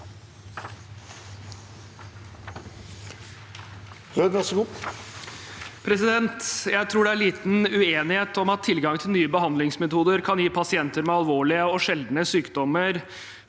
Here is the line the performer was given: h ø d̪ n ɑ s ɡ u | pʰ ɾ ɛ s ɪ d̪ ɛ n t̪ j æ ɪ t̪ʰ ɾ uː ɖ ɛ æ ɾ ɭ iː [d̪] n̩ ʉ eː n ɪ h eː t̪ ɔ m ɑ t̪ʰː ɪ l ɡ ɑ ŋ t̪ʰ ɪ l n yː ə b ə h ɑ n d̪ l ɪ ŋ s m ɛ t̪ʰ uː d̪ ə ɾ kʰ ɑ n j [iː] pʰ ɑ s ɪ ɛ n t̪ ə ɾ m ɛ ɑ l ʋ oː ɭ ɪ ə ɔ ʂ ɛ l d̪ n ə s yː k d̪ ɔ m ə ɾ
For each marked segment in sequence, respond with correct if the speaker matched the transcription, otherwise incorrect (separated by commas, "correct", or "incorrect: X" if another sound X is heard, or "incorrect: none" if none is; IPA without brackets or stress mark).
incorrect: t̪, correct